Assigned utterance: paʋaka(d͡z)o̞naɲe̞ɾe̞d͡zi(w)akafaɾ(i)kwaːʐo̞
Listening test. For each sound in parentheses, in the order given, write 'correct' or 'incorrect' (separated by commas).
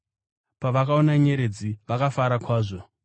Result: incorrect, incorrect, incorrect